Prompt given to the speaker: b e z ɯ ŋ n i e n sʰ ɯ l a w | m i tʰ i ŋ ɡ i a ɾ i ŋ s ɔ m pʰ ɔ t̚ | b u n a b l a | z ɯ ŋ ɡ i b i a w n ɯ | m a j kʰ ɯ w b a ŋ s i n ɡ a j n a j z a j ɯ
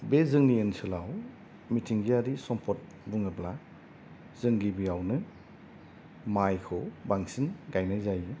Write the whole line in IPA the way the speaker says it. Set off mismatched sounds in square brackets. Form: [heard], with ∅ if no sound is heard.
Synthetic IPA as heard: b e z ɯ ŋ n i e n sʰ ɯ l a w | m i tʰ i ŋ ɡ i a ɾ i [∅] s ɔ m pʰ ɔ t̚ | b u [ŋ] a b l a | z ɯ ŋ ɡ i b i a w n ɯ | m a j kʰ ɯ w b a ŋ s i n ɡ a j n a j z a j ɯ